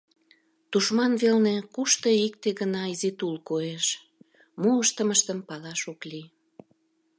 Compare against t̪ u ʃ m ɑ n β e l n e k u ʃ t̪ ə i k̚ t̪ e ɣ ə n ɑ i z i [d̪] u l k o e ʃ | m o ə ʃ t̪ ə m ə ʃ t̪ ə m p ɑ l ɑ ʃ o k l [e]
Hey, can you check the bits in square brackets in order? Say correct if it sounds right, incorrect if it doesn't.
incorrect: t̪, incorrect: i

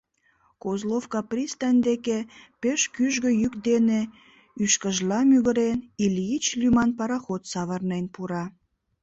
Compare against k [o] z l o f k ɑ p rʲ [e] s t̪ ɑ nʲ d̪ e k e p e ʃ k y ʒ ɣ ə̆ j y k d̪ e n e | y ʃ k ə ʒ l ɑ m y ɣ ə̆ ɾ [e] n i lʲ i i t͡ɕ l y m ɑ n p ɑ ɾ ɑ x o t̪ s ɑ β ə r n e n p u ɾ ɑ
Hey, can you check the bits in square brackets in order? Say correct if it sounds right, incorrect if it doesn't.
correct, incorrect: i, correct

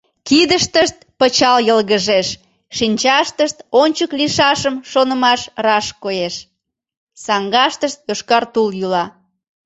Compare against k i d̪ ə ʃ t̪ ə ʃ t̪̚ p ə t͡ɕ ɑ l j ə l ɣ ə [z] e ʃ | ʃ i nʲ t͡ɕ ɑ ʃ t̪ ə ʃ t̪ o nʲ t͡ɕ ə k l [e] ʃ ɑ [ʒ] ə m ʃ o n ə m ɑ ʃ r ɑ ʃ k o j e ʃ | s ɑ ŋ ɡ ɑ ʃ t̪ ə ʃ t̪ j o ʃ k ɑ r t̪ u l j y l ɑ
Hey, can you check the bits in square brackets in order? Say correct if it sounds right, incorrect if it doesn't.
incorrect: ʒ, incorrect: i, incorrect: ʃ

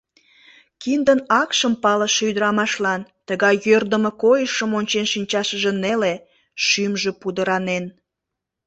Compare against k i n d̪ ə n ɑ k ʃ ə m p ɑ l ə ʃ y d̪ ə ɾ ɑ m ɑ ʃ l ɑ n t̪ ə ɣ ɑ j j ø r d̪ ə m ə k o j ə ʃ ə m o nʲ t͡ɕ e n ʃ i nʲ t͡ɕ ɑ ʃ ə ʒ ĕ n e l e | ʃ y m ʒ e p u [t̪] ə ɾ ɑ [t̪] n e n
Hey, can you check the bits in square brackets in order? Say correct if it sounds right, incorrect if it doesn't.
incorrect: d̪, incorrect: none

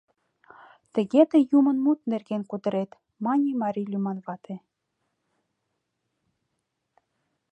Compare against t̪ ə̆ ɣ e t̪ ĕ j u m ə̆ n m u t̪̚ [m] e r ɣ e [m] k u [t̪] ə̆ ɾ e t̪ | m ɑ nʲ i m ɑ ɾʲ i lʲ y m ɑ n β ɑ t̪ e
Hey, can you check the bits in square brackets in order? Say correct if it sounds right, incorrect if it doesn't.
incorrect: n, incorrect: n, incorrect: d̪

